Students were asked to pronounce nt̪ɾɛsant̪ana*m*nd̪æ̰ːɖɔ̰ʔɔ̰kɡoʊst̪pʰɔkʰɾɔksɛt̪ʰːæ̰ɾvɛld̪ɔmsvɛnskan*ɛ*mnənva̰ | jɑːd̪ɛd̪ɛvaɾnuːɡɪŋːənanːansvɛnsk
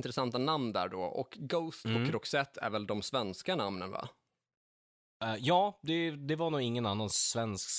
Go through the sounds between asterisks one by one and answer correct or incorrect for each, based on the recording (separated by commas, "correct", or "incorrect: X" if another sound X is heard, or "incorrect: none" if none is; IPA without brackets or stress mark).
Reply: correct, incorrect: a